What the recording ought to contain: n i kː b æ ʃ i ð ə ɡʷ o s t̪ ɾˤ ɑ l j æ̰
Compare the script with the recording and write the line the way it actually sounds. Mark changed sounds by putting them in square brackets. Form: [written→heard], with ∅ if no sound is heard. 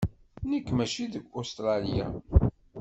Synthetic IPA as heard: n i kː [b→m] æ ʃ i ð ə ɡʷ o s t̪ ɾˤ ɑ l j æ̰